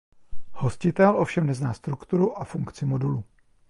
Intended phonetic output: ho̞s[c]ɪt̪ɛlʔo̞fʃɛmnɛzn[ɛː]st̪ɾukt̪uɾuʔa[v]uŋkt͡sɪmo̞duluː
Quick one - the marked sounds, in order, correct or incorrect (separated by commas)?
correct, incorrect, incorrect